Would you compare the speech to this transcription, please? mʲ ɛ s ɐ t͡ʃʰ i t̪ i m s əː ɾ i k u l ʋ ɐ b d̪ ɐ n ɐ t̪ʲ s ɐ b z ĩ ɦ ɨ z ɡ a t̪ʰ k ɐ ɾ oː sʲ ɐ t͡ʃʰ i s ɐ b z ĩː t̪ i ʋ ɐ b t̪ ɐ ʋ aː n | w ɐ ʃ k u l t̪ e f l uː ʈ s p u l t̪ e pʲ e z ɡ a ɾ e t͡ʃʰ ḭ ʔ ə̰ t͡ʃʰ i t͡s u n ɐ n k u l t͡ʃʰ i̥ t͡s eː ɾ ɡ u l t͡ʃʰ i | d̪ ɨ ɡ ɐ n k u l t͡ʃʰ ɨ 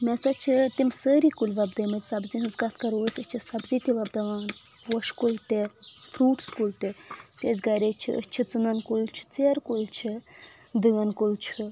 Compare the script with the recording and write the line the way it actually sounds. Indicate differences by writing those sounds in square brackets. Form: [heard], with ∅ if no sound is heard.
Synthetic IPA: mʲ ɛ s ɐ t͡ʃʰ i t̪ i m s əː ɾ i k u l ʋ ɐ b d̪ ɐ [m] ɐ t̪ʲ s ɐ b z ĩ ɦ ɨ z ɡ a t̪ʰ k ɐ ɾ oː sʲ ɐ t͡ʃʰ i s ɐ b z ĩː t̪ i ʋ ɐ b [d̪] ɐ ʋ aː n | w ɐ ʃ k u l t̪ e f [ɾ] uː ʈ s [k] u l t̪ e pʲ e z ɡ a ɾ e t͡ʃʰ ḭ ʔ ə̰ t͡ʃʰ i t͡s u n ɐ n k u l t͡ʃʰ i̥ t͡s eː ɾ [k] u l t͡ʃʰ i | d̪ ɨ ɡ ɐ n k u l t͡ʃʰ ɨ